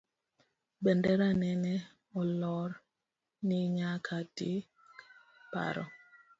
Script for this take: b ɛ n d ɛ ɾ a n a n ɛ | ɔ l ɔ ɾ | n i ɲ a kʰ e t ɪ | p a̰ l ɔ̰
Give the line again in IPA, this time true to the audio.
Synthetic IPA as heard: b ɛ n d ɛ ɾ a n ɛ n ɛ | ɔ l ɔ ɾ | n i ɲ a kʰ a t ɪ | p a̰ ɾ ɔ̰